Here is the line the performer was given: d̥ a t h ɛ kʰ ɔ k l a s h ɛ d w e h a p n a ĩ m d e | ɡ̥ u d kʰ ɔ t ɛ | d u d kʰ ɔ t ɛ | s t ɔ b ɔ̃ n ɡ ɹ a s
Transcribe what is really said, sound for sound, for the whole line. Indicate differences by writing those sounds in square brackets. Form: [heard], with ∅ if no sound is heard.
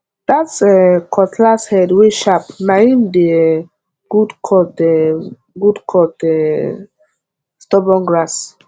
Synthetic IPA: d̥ a t [s] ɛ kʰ ɔ [t] l a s h ɛ d w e [ʃ] a p n a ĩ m d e | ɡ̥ u d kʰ ɔ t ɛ | [ɡ] u d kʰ ɔ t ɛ | s t ɔ b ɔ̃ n ɡ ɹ a s